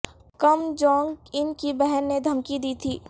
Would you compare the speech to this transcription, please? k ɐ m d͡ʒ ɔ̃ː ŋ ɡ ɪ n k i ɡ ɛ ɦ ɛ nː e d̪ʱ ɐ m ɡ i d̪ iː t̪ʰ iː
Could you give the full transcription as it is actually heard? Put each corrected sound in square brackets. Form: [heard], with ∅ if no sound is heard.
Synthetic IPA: k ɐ m d͡ʒ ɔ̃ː ŋ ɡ ɪ n k i [b] ɛ ɦ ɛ nː e d̪ʱ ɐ m [k] i d̪ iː t̪ʰ iː